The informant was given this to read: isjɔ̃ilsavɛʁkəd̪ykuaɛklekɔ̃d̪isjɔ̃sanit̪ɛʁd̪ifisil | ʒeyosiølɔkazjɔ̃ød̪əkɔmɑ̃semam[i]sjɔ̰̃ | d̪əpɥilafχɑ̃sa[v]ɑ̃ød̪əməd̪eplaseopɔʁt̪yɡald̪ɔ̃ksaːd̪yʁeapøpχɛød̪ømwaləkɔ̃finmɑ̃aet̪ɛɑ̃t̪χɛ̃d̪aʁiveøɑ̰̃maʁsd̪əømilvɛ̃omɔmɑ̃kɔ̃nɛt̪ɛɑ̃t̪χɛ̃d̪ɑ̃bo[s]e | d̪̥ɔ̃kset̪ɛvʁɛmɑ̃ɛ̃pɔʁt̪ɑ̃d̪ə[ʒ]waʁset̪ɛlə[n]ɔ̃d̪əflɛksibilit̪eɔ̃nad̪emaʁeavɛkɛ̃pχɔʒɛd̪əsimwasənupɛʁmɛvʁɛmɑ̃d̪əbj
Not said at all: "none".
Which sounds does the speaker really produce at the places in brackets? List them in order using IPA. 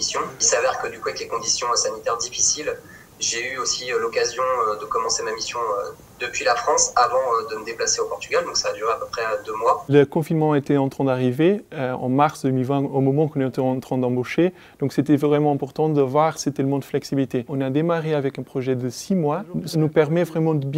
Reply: i, v, ʃ, v, m

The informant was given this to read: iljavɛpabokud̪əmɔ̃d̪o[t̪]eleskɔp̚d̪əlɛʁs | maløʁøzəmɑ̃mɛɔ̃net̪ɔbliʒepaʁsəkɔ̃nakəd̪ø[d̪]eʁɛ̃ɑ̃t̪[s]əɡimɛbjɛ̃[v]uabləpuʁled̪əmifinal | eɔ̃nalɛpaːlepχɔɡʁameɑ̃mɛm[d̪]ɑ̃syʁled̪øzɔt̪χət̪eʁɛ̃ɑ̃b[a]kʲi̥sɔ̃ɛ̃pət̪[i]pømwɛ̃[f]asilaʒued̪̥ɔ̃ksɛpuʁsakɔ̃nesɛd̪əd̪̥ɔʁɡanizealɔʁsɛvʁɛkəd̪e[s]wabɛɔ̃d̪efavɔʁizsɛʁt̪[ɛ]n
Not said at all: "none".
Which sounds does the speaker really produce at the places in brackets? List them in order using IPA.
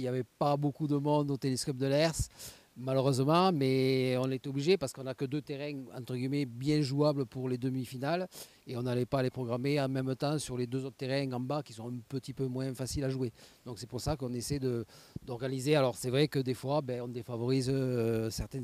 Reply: t̪, t̪, χ, ʒ, t̪, a, i, f, f, ɛ

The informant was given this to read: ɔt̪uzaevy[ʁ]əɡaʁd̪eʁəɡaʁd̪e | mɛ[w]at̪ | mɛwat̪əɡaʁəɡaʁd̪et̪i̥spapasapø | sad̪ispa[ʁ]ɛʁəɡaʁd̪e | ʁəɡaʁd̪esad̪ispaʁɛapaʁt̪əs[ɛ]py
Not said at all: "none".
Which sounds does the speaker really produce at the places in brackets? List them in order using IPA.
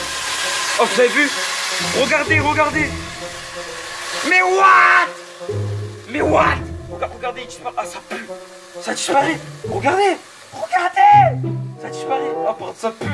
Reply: ʁ, w, ʁ, a

